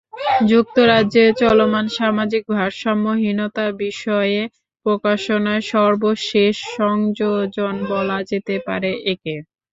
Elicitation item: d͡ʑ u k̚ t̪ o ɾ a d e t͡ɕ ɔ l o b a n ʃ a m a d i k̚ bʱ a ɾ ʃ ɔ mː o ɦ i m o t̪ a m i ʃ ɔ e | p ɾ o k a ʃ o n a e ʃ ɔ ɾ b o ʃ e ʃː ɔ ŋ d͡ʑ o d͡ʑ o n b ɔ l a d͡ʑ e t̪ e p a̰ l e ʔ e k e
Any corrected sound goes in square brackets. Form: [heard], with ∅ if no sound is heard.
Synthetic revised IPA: d͡ʑ u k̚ t̪ o ɾ a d e t͡ɕ ɔ l o [m] a n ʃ a m a [d͡ʑ] i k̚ bʱ a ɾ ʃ ɔ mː o ɦ i [n] o t̪ a [b] i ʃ ɔ e | p ɾ o k a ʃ o n a e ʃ ɔ ɾ b o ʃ e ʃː ɔ ŋ d͡ʑ o d͡ʑ o n b ɔ l a d͡ʑ e t̪ e p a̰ [ɾ] e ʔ e k e